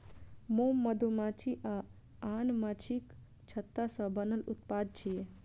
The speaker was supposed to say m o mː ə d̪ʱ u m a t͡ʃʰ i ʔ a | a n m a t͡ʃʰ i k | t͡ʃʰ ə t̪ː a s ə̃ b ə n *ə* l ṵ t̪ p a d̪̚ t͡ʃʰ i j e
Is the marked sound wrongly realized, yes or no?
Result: no